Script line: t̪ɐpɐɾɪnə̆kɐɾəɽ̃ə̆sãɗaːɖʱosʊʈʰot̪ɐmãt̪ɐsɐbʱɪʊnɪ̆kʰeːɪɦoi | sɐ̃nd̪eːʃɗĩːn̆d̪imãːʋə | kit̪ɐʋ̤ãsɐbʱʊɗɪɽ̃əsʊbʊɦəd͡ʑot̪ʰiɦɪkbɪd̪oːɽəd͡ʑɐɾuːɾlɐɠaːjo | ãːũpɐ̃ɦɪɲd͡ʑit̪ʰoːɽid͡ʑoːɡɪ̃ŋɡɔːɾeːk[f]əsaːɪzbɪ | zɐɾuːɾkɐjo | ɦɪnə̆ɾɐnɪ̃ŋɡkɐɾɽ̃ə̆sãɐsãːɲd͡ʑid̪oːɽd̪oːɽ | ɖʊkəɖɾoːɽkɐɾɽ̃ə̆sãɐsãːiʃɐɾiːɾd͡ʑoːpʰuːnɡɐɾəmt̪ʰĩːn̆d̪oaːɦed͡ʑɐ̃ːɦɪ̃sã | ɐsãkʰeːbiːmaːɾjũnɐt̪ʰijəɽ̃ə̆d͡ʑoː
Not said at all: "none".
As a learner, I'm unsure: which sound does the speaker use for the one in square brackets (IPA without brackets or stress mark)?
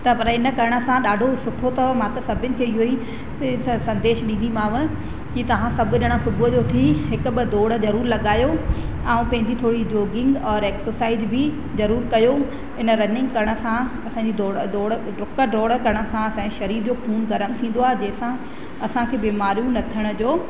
s